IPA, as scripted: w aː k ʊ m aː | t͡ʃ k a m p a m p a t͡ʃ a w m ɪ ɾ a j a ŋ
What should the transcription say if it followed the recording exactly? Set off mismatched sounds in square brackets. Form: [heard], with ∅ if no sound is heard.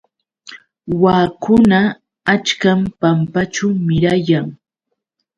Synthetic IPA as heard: w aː k ʊ [n] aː | t͡ʃ k a m p a m p a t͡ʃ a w m ɪ ɾ a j a ŋ

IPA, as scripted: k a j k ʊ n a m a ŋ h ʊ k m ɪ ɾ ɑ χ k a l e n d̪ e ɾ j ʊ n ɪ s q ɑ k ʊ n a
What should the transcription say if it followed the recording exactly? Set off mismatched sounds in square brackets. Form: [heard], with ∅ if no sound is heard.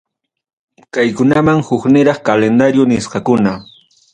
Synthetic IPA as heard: k a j k ʊ n a m a ŋ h ʊ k [n] ɪ ɾ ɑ χ k a l e n d̪ [a] ɾ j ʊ n ɪ s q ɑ k ʊ n a

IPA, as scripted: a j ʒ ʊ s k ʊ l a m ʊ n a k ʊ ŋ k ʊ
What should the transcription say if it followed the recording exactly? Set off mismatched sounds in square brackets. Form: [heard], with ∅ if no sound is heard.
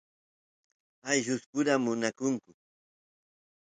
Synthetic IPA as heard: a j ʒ ʊ s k ʊ [ɾ] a m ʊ n a k ʊ ŋ k ʊ

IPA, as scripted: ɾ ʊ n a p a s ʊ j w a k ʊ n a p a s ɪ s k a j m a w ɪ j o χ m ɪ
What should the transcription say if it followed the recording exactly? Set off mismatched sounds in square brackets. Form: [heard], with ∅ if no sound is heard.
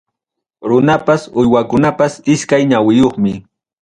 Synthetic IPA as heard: ɾ ʊ n a p a s ʊ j w a k ʊ n a p a s ɪ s k a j [ɲ] a w ɪ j o χ m ɪ

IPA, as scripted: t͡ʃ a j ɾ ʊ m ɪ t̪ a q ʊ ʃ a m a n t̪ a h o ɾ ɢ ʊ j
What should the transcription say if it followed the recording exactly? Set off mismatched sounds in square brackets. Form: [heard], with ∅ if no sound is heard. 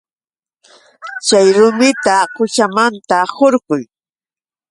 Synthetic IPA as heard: t͡ʃ a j ɾ ʊ m ɪ t̪ a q ʊ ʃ a m a n t̪ a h o ɾ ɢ ʊ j

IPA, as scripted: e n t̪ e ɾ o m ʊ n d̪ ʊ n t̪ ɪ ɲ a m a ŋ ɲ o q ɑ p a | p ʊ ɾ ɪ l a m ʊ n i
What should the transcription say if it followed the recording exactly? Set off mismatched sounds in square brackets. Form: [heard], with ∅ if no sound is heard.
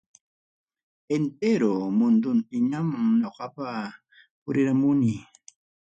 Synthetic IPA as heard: e n t̪ e ɾ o m ʊ n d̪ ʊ n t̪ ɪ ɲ a m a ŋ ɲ o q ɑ p a | p ʊ ɾ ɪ [ɾ] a m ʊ n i

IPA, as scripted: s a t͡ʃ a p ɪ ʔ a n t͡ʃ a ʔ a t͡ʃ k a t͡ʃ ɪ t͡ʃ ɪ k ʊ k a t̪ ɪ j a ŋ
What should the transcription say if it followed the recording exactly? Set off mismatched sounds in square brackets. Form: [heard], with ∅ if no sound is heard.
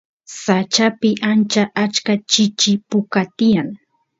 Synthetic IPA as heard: s a t͡ʃ a p ɪ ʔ a n t͡ʃ a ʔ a t͡ʃ k a t͡ʃ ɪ t͡ʃ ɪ [p] ʊ k a t̪ ɪ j a ŋ

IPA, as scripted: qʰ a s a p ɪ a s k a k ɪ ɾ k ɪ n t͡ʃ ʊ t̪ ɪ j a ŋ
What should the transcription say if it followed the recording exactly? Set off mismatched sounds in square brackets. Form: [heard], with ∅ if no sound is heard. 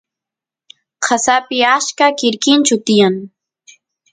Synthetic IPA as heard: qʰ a s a p ɪ a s k a k ɪ ɾ k ɪ n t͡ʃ ʊ t̪ ɪ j a ŋ

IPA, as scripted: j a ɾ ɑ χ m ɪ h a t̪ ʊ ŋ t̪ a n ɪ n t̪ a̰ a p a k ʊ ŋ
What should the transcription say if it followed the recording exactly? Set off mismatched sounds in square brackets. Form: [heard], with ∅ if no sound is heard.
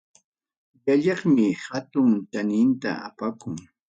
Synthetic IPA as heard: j a [ʎ] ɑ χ m ɪ h a t̪ ʊ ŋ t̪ a n ɪ n t̪ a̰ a p a k ʊ ŋ

